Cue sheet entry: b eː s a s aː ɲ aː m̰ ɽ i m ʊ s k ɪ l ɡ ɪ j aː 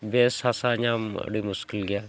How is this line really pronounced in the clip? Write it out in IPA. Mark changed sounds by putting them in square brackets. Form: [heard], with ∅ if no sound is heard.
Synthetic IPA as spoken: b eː s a s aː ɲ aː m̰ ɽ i m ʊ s k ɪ l ɡ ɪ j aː